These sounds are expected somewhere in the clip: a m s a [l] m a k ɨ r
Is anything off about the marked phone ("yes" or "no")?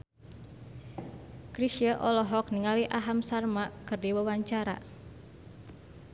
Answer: yes